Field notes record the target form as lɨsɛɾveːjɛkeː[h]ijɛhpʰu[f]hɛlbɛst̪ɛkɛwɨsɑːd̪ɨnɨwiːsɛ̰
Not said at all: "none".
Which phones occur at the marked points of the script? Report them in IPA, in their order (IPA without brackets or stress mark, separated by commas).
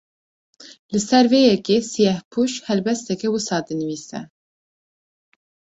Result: s, ʃ